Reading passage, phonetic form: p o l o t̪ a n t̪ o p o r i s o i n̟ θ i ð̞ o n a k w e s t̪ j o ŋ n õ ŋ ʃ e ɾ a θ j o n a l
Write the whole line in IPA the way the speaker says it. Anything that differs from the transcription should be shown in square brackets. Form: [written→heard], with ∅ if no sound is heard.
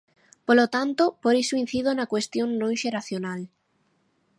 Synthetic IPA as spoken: p o l o t̪ a n t̪ o p o [r→ɾ] i s o i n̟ θ i ð̞ o n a k w e s t̪ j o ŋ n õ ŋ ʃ e ɾ a θ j o n a l